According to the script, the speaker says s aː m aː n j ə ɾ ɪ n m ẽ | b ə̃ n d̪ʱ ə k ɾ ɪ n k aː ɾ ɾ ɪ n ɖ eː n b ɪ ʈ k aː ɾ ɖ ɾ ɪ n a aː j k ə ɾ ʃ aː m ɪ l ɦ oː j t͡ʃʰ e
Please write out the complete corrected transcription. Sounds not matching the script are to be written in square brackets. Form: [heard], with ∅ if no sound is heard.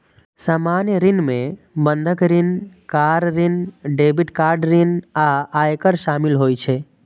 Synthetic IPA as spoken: s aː m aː n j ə ɾ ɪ n m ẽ | b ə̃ n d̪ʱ ə k ɾ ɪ n k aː ɾ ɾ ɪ n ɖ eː [∅] b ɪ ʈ k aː ɾ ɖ ɾ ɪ n a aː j k ə ɾ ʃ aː m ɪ l ɦ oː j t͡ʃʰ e

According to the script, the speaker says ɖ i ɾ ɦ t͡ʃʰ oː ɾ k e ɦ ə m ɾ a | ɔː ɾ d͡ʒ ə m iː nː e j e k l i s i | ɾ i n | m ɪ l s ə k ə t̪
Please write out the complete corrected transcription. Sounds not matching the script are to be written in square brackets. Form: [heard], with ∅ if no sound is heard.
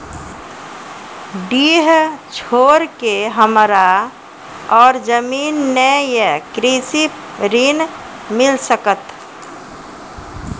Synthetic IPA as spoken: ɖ i [∅] ɦ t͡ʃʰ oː ɾ k e ɦ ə m ɾ a | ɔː ɾ d͡ʒ ə m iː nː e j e k [ɾ] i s i | ɾ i n | m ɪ l s ə k ə t̪

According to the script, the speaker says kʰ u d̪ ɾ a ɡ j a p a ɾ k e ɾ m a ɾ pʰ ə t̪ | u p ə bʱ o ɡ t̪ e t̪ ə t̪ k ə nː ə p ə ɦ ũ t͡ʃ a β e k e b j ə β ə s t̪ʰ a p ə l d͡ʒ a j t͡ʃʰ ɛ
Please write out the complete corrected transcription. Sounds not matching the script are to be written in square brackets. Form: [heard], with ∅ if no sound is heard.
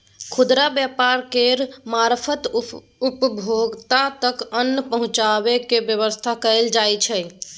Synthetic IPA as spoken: kʰ u d̪ ɾ a [b] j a p a ɾ k e ɾ m a ɾ pʰ ə t̪ | u p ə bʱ o ɡ t̪ [a] t̪ ə [∅] k ə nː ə p ə ɦ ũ t͡ʃ a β e k e b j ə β ə s t̪ʰ a [k] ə l d͡ʒ a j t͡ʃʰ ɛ

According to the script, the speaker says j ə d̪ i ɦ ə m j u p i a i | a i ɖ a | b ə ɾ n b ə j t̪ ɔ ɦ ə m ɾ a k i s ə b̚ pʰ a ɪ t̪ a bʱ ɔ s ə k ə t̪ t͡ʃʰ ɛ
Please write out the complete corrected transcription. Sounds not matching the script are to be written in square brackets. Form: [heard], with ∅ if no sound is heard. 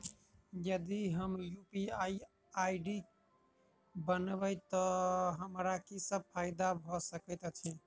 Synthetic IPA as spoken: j ə d̪ i ɦ ə m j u p i a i | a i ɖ [i] | b ə [∅] n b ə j t̪ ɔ ɦ ə m ɾ a k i s ə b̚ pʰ a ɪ [d̪] a bʱ ɔ s ə k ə t̪ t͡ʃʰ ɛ

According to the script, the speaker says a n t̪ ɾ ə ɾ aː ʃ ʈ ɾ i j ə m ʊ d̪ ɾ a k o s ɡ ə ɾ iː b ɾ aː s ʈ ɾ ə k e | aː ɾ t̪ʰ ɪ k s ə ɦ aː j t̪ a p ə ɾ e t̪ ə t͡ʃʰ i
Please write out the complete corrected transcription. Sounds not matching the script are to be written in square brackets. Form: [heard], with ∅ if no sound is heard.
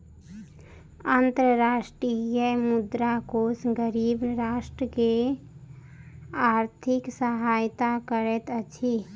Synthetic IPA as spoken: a n t̪ ɾ ə ɾ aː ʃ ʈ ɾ i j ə m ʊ d̪ ɾ a k o s ɡ ə ɾ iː b ɾ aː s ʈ ɾ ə k e | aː ɾ t̪ʰ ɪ k s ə ɦ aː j t̪ a [k] ə ɾ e t̪ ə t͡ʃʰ i

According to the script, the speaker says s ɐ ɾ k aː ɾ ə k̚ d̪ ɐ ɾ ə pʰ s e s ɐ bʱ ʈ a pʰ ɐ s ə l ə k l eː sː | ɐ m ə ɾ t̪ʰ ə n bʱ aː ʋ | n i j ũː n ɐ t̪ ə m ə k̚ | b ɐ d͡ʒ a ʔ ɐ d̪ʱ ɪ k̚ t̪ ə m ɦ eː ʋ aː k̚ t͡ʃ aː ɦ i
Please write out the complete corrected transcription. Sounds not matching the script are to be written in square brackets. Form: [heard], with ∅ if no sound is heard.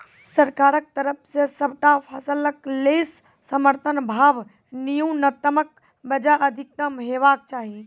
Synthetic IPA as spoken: s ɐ ɾ k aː ɾ ə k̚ [t̪] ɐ ɾ ə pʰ s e s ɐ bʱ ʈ a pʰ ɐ s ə l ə k l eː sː | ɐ m ə ɾ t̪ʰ ə n bʱ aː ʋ | n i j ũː n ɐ t̪ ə m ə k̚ | b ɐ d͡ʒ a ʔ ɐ d̪ʱ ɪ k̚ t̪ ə m ɦ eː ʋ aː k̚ t͡ʃ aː ɦ i

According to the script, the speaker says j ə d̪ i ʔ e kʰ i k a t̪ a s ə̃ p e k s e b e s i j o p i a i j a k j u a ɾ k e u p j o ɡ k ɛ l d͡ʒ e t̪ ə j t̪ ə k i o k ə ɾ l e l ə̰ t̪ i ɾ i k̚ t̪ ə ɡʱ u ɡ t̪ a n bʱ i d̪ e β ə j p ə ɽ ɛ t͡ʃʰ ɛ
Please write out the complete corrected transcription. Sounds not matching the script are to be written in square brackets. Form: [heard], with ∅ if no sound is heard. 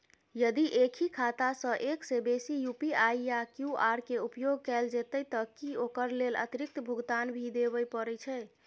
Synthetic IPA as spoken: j ə d̪ i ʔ e kʰ i [kʰ] a t̪ a s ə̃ [ʔ] e k s e b e s i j [u] p i a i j a k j u a ɾ k e u p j o ɡ k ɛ l d͡ʒ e t̪ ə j t̪ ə k i o k ə ɾ l e l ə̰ t̪ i ɾ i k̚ t̪ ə [bʱ] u ɡ t̪ a n bʱ i d̪ e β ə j p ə [ɾ] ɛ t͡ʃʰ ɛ

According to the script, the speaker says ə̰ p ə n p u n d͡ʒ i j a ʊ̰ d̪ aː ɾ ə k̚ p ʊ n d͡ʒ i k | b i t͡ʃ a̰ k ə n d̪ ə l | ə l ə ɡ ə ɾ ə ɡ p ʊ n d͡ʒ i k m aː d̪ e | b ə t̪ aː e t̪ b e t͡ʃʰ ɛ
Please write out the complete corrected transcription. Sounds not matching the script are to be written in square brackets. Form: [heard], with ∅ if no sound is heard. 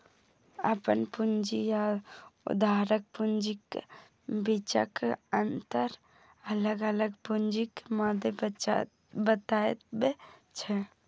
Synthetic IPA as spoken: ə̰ p ə n p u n d͡ʒ i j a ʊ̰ d̪ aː ɾ ə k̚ p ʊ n d͡ʒ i k | b i t͡ʃ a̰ k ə n [t̪] ə [ɾ] | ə l ə ɡ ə [l] ə ɡ p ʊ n d͡ʒ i k m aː d̪ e | b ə t̪ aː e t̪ b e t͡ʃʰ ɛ

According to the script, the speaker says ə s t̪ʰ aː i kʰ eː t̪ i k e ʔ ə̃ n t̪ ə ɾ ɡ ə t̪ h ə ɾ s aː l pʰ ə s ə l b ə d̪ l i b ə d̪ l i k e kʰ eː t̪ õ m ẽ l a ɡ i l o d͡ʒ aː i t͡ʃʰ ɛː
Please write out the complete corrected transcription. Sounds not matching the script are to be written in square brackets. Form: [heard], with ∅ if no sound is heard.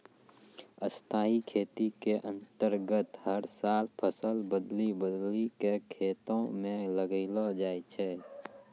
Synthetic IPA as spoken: ə s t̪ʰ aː i kʰ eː t̪ i k e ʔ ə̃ n t̪ ə ɾ ɡ ə t̪ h ə ɾ s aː l pʰ ə s ə l b ə d̪ l i b ə d̪ l i k e kʰ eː t̪ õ m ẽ l [ə] ɡ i l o d͡ʒ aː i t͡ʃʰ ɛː

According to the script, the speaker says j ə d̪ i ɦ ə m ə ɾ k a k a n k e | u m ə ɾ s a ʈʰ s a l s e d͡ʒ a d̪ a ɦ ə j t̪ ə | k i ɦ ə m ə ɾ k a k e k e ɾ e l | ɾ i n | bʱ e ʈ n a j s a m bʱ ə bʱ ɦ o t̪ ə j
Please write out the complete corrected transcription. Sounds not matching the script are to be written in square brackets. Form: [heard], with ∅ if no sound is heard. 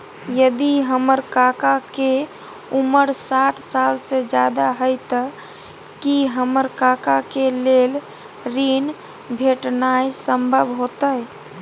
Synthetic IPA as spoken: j ə d̪ i ɦ ə m ə ɾ k a k a [∅] k e | u m ə ɾ s a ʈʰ s a l s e d͡ʒ a d̪ a ɦ ə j t̪ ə | k i ɦ ə m ə ɾ k a k [a] k e [l] e l | ɾ i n | bʱ e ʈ n a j s [ə] m bʱ ə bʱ ɦ o t̪ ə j

